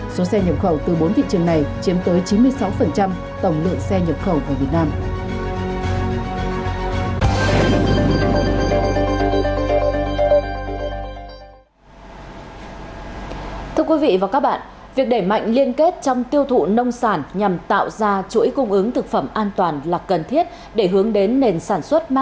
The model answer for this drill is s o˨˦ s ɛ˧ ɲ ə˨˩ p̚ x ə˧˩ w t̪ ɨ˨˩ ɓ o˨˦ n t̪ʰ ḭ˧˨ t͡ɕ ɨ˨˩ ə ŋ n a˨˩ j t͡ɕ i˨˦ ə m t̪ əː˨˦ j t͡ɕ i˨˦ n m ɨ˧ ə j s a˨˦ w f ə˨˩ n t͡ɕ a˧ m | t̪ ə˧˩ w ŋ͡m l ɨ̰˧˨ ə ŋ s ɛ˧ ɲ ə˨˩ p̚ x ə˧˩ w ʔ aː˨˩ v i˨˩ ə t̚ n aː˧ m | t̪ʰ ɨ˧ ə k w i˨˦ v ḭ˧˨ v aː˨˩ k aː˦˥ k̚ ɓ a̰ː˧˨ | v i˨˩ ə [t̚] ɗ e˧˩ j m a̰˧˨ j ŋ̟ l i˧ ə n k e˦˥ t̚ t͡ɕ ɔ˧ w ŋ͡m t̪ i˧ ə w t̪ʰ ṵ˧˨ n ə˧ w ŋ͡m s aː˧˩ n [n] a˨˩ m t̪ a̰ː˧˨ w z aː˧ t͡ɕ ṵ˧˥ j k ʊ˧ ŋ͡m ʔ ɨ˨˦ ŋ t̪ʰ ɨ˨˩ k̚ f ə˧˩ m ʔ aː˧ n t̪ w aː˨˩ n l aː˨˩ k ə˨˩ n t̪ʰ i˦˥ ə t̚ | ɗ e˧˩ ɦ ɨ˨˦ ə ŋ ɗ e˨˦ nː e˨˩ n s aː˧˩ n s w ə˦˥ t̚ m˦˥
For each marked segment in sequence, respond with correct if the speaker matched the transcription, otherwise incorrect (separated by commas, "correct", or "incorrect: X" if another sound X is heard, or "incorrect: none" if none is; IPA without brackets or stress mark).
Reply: incorrect: k̚, incorrect: ɲ